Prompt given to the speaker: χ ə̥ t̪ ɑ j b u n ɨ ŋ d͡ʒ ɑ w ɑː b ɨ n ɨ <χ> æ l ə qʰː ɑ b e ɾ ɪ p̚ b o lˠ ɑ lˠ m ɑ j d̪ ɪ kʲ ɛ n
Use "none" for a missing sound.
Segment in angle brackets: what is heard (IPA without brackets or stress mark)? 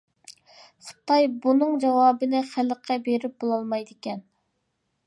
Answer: χ